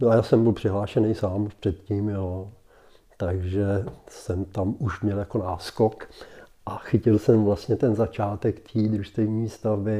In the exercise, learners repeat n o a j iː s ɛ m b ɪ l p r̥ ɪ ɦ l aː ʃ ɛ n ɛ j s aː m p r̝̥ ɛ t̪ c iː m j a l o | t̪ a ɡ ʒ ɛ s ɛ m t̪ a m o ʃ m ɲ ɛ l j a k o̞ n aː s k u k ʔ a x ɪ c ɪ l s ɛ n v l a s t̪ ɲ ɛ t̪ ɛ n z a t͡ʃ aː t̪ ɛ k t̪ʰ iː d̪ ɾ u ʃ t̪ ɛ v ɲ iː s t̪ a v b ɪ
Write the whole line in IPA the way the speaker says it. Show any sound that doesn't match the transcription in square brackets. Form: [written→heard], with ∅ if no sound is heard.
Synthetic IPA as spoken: n o a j [iː→aː] s ɛ m b ɪ l p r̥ ɪ ɦ l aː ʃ ɛ n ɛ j s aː m p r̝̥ ɛ t̪ c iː m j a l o | t̪ a ɡ ʒ ɛ s ɛ m t̪ a m [o→u] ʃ m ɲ ɛ l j a k o̞ n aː s k [u→o] k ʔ a x ɪ c ɪ l s ɛ [n→m] v l a s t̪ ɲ ɛ t̪ ɛ n z a t͡ʃ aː t̪ ɛ k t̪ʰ iː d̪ ɾ u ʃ t̪ ɛ v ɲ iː s t̪ a v b ɪ